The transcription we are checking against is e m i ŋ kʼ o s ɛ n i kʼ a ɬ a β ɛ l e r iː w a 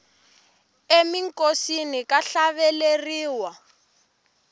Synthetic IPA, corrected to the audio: e m i ŋ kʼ o s i n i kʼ a ɬ a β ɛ l e r iː w a